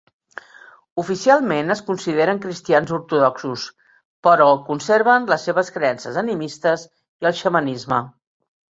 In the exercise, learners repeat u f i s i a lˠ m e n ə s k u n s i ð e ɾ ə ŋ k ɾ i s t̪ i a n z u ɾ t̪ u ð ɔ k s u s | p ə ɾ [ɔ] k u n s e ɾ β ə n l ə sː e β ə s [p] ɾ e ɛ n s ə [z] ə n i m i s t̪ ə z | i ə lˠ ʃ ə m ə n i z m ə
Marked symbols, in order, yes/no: yes, no, yes

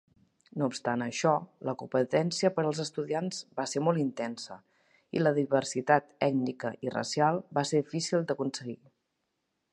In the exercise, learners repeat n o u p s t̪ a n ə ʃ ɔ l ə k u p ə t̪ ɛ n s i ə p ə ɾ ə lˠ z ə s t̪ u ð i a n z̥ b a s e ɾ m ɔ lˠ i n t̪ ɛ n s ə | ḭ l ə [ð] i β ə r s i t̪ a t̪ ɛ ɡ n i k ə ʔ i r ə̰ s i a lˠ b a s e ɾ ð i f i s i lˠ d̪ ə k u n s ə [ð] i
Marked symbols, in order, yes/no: yes, no

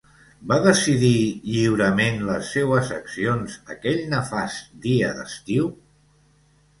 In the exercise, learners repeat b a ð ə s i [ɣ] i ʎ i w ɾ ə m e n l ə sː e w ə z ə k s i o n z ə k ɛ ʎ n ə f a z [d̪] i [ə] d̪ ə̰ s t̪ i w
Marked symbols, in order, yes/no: no, yes, yes

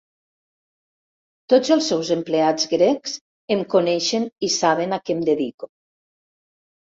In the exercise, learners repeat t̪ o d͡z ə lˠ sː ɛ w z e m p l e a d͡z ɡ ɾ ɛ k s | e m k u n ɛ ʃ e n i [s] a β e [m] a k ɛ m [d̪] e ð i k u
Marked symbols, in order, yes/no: yes, no, yes

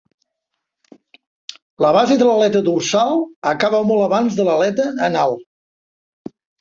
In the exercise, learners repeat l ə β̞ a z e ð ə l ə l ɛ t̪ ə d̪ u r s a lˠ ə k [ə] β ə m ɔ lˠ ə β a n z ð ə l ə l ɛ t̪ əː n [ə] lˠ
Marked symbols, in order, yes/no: no, no

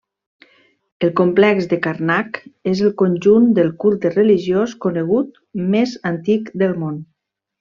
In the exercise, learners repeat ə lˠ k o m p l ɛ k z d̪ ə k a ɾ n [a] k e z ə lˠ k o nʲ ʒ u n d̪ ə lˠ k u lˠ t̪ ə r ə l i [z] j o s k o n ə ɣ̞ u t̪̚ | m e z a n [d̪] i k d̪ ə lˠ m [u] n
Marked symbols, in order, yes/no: yes, no, no, no

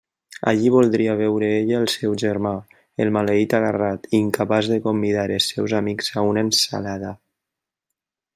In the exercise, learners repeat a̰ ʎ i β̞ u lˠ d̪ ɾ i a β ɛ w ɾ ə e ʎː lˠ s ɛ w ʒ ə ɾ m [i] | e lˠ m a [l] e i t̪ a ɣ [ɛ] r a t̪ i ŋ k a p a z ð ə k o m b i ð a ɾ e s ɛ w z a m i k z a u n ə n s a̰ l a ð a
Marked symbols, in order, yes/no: no, yes, no

